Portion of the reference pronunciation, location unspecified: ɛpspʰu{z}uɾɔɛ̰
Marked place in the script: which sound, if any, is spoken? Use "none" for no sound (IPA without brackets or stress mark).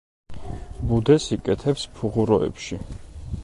ʁ